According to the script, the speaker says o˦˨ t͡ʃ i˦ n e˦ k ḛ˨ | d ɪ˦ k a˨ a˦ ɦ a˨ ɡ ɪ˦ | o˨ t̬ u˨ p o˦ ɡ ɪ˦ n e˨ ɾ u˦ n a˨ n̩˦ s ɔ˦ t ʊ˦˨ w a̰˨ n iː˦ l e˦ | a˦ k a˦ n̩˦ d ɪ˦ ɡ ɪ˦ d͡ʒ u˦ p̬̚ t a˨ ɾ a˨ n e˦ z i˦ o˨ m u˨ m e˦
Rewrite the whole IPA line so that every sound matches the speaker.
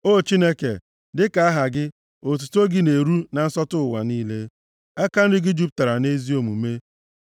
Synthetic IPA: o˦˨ t͡ʃ i˦ n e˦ k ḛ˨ | d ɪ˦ k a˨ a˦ ɦ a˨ ɡ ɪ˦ | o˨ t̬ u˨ t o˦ ɡ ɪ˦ n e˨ ɾ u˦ n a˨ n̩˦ s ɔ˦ t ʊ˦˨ w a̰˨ n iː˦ l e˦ | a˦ k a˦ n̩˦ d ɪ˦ ɡ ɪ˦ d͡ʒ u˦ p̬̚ t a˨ ɾ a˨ n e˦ z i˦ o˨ m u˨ m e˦